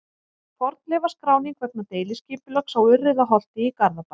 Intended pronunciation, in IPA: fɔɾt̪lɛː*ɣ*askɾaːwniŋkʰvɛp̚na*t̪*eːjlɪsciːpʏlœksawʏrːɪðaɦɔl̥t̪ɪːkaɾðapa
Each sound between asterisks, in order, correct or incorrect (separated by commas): incorrect, correct